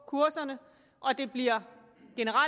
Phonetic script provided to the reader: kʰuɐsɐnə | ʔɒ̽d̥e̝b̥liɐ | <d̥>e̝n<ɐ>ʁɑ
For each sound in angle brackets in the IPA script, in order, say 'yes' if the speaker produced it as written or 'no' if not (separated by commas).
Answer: no, no